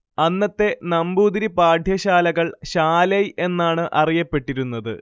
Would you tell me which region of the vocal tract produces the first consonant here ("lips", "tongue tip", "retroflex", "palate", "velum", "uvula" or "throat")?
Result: tongue tip